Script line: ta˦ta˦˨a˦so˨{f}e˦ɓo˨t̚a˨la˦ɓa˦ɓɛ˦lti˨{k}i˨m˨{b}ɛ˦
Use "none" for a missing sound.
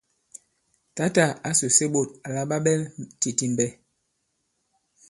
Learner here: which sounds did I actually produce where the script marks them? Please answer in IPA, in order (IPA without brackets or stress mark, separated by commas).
s, t, b